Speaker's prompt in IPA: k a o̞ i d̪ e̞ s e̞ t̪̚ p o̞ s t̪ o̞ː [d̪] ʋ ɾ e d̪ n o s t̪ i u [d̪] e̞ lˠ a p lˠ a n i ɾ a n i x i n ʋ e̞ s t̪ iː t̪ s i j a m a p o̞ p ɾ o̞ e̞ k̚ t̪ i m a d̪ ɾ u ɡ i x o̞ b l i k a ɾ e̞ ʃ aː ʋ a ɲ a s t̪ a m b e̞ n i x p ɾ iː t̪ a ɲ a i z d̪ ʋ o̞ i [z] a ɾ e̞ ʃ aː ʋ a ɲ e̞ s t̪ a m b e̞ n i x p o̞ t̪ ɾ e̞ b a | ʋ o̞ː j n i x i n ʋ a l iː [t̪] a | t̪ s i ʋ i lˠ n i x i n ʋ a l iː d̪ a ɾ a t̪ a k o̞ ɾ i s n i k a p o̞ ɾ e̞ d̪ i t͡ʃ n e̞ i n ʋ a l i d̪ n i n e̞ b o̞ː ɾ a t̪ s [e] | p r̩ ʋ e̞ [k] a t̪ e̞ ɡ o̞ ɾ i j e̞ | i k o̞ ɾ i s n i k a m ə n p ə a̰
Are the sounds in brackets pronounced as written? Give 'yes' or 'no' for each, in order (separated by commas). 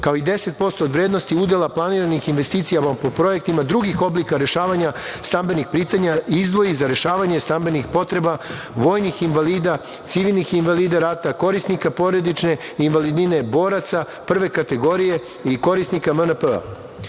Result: yes, yes, yes, no, no, yes